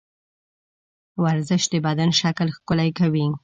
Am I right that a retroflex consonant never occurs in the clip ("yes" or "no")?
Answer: yes